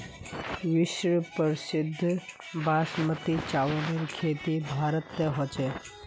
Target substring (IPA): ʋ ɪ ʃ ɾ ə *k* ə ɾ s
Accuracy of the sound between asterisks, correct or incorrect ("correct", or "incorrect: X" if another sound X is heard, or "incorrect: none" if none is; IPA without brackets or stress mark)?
incorrect: p